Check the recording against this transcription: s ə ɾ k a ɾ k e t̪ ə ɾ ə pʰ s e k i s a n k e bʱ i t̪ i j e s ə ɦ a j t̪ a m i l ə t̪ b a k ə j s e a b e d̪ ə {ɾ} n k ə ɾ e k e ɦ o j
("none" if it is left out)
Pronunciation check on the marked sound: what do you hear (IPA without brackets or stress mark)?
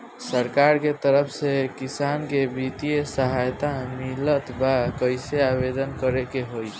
none